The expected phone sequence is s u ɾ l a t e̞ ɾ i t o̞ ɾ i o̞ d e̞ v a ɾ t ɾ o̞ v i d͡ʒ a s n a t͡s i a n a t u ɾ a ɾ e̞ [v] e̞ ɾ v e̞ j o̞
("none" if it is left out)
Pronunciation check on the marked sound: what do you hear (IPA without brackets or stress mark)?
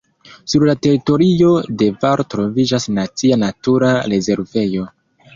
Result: z